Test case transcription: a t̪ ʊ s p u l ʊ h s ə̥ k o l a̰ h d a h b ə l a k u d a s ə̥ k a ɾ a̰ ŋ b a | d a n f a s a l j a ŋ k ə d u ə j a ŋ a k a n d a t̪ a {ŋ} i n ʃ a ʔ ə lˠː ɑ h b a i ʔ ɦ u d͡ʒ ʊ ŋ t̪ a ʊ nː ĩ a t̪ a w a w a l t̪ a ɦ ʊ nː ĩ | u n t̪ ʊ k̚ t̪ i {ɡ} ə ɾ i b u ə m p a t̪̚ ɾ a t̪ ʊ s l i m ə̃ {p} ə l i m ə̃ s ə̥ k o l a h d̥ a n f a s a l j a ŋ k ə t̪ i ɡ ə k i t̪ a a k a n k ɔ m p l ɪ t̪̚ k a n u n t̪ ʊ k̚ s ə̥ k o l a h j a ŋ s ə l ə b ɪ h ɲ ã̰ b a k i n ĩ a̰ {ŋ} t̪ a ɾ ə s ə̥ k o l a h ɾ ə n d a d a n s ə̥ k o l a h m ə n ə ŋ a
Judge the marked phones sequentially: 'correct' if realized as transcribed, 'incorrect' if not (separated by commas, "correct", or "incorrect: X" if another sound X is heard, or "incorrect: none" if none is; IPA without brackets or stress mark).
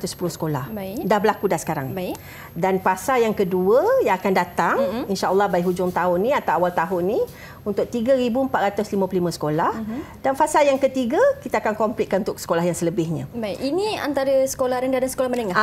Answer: correct, correct, correct, incorrect: n